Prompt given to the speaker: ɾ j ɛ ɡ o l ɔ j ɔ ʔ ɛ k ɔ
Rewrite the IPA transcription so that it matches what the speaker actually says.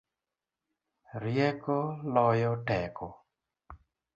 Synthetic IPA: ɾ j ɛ k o l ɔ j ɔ t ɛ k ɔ